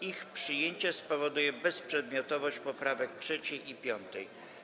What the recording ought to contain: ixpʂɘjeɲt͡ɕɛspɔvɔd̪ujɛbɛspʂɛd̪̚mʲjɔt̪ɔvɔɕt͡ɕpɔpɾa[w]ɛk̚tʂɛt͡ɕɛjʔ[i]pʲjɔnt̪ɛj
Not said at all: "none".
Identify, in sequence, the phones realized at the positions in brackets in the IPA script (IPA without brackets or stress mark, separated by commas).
v, i